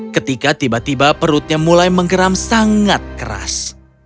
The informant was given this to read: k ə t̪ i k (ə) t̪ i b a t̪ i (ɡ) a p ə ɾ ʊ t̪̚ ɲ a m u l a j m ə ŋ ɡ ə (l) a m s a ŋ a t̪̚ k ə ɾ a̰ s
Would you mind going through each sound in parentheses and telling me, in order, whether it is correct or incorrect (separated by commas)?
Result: incorrect, incorrect, incorrect